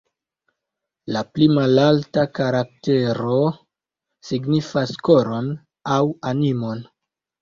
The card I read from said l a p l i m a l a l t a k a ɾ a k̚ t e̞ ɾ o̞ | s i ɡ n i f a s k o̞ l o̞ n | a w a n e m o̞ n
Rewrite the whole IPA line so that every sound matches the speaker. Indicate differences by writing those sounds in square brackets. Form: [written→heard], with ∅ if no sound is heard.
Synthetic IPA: l a p l i m a l a l t a k a ɾ a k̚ t e̞ ɾ o̞ | s i ɡ n i f a s k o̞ [l→ɾ] o̞ n | a w a n [e→i] m o̞ n

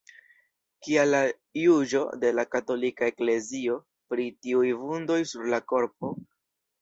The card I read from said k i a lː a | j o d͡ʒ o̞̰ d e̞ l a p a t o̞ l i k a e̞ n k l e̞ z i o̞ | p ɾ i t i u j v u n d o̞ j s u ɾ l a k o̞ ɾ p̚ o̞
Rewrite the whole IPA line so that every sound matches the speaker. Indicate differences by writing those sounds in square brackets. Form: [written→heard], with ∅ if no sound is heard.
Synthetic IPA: k i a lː a | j [o→u] d͡ʒ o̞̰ d e̞ l a [p→k] a t o̞ l i k a e̞ [n→∅] k l e̞ z i o̞ | p ɾ i t i u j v u n d o̞ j s u ɾ l a k o̞ ɾ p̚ o̞

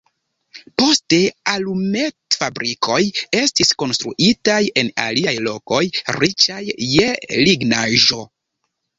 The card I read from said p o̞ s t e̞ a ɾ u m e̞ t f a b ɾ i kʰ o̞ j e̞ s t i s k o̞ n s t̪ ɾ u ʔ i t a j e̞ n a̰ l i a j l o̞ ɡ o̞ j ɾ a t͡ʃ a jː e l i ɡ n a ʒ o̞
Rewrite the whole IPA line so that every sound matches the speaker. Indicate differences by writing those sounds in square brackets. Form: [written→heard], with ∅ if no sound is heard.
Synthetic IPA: p o̞ s t e̞ a [ɾ→l] u m e̞ t f a b ɾ i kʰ o̞ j e̞ s t i s k o̞ n s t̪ ɾ u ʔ i t a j e̞ n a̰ l i a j l o̞ [ɡ→k] o̞ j ɾ [a→i] t͡ʃ a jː e l i ɡ n a ʒ o̞

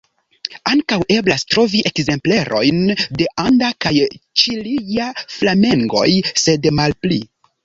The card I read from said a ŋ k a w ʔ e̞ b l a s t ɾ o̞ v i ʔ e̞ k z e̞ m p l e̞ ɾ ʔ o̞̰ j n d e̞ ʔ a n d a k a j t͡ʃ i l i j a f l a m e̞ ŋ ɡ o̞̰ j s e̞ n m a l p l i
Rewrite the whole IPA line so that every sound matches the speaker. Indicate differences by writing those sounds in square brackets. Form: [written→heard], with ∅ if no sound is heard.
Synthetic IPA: a ŋ k a w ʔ e̞ b l a s t ɾ o̞ v i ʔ e̞ k z e̞ m p l e̞ ɾ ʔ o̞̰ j n d e̞ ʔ a n d a k a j t͡ʃ i l i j a f l a m e̞ ŋ ɡ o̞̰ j s e̞ [n→d] m a l p l i

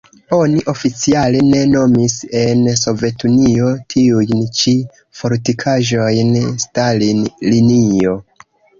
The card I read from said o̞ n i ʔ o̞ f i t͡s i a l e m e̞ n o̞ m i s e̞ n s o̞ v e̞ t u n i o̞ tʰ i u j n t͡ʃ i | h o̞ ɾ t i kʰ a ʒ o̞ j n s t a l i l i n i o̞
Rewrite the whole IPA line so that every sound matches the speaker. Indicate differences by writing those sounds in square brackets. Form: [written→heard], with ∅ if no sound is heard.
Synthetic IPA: o̞ n i ʔ o̞ f i t͡s i a l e [m→n] e̞ n o̞ m i s e̞ n s o̞ v e̞ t u n i o̞ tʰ i u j n t͡ʃ i | [h→f] o̞ ɾ t i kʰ a ʒ o̞ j n s t a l i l i n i o̞

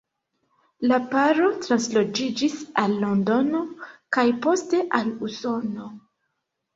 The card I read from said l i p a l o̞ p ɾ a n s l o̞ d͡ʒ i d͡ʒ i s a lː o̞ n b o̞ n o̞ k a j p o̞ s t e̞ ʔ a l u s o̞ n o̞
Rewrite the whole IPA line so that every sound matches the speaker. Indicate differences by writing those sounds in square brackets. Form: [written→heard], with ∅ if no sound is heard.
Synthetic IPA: l [i→a] p a [l→ɾ] o̞ [p→t] ɾ a n s l o̞ d͡ʒ i d͡ʒ i s a lː o̞ n [b→d] o̞ n o̞ k a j p o̞ s t e̞ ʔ a l u s o̞ n o̞

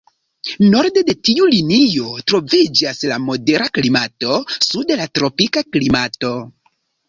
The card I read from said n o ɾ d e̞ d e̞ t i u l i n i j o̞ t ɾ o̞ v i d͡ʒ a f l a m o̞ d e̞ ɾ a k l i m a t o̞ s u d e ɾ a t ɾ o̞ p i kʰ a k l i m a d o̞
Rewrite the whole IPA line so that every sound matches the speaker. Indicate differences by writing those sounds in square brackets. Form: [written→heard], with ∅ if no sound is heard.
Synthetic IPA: n o ɾ d e̞ d e̞ t i u l i n i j o̞ t ɾ o̞ v i d͡ʒ a [f→s] l a m o̞ d e̞ ɾ a k l i m a t o̞ s u d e [ɾ→l] a t ɾ o̞ p i [kʰ→k] a k l i m a [d→t] o̞

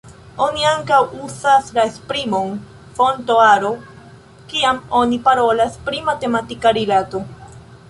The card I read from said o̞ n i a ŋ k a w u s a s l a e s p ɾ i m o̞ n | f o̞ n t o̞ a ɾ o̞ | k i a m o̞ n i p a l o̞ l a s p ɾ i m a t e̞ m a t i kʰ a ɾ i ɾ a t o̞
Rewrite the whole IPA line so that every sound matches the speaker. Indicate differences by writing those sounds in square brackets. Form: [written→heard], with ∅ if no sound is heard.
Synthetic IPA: o̞ n i a ŋ k a w u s a s l a e s p ɾ i m o̞ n | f o̞ n t o̞ a ɾ o̞ | k i a m o̞ n i p a [l→ɾ] o̞ l a s p ɾ i m a t e̞ m a t i [kʰ→k] a ɾ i [ɾ→l] a t o̞

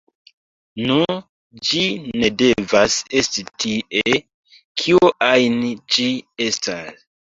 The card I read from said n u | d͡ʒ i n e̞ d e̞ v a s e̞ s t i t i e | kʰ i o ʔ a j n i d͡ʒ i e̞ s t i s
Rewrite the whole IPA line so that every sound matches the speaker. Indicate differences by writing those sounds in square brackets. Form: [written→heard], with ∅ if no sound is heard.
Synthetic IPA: n u | d͡ʒ i n e̞ d e̞ v a s e̞ s t i t i e | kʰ i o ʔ a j n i d͡ʒ i e̞ s t [i→a] s

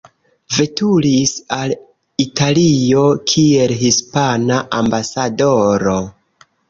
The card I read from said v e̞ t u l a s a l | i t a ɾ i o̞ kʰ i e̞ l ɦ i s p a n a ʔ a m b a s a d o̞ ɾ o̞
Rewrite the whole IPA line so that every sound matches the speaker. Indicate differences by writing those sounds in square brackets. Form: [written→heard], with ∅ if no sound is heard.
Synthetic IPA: v e̞ t u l [a→i] s a l | i t a [ɾ→l] i o̞ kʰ i e̞ l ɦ i s p a n a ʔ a m b a s a d o̞ ɾ o̞

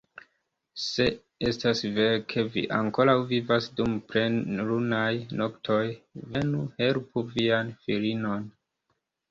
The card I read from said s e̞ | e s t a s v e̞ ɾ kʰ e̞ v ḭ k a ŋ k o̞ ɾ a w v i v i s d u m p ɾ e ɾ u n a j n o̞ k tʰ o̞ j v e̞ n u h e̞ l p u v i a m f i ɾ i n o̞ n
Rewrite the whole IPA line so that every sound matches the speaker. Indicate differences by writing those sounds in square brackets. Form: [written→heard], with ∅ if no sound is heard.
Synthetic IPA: s e̞ | e s t a s v e̞ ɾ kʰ e̞ v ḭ [k→ʔ] a ŋ k o̞ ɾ a w v i v [i→a] s d u m p ɾ e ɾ u n a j n o̞ k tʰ o̞ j v e̞ n u h e̞ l p u v i a [m→n] f i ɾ i n o̞ n

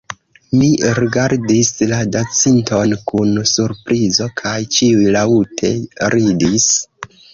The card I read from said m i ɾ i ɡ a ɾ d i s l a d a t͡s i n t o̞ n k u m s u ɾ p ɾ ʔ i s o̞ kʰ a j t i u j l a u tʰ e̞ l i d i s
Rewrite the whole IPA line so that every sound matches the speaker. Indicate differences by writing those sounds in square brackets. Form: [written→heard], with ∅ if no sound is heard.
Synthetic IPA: m i ɾ i ɡ a ɾ d i s l a d a t͡s i n t o̞ n k u [m→n] s u ɾ p ɾ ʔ i [s→z] o̞ kʰ a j [t→t͡ʃ] i u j l a u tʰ e̞ [l→ɾ] i d i s

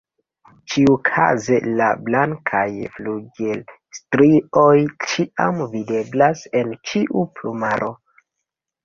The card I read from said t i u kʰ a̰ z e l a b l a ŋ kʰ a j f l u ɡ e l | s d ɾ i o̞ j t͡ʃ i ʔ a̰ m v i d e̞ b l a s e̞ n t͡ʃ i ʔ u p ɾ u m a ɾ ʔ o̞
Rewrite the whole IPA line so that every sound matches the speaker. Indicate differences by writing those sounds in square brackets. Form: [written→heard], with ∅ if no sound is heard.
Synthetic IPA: [t→t͡ʃ] i u kʰ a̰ z e l a b l a ŋ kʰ a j f l u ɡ e l | s [d→t] ɾ i o̞ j t͡ʃ i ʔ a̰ m v i d e̞ b l a s e̞ n t͡ʃ i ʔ u p [ɾ→l] u m a ɾ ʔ o̞

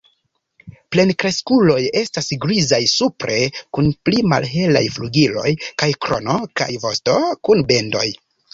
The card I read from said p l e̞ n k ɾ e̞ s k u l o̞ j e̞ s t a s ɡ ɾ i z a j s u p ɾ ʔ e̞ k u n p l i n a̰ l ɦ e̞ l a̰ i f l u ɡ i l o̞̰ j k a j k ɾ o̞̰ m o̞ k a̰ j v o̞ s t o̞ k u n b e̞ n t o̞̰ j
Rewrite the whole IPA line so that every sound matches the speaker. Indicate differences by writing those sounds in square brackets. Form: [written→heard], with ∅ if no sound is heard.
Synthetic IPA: p l e̞ n k ɾ e̞ s k u l o̞ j e̞ s t a s ɡ ɾ i z a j s u p ɾ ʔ e̞ k u n p l i [n→m] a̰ l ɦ e̞ l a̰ [i→j] f l u ɡ i l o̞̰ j k a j k ɾ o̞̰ [m→n] o̞ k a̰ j v o̞ s t o̞ k u n b e̞ n [t→d] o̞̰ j

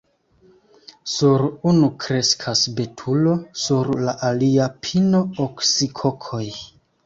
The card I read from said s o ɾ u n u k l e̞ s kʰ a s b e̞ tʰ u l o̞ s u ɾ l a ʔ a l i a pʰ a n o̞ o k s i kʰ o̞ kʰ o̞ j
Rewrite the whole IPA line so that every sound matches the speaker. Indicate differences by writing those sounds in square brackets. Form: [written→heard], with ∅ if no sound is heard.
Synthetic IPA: s [o→u] ɾ u n u k [l→ɾ] e̞ s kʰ a s b e̞ tʰ u l o̞ s u ɾ l a ʔ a l i a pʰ [a→i] n o̞ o k s i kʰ o̞ kʰ o̞ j

